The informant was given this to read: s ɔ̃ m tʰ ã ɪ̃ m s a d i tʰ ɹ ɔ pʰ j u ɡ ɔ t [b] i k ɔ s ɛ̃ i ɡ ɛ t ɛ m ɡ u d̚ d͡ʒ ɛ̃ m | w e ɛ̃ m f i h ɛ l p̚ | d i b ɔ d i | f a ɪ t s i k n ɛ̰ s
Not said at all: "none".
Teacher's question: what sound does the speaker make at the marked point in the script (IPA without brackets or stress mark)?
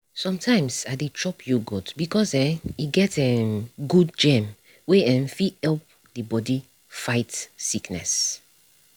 b